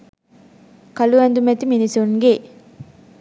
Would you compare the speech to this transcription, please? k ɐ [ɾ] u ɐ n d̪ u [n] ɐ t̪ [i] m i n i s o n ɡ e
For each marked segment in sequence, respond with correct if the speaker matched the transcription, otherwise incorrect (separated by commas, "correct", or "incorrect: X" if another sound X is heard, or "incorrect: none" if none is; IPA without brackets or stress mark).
incorrect: l, incorrect: m, correct